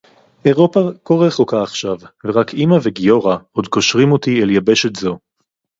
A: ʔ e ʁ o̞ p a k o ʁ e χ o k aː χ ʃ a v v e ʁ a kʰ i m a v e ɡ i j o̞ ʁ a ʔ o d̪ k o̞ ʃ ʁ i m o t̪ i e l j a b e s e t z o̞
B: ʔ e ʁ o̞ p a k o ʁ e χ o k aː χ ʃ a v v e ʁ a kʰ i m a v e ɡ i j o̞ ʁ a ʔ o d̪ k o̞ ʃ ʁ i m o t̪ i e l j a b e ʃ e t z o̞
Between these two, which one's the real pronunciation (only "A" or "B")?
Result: B